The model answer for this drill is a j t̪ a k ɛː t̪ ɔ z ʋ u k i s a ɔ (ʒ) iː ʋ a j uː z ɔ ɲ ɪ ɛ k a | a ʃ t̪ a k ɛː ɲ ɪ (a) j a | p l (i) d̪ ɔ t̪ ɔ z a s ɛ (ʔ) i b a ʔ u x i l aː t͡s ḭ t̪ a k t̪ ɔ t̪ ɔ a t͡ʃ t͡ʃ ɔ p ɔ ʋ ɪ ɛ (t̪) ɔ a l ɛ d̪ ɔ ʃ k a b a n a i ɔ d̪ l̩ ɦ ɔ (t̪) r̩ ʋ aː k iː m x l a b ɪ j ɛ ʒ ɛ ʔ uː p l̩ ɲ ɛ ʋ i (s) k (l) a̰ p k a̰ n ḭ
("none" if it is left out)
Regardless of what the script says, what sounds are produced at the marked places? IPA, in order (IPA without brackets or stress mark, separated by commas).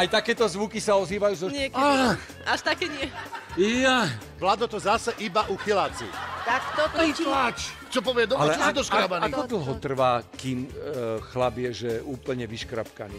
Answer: z, ɛ, a, ʔ, d̪, t̪, ʃ, ɾ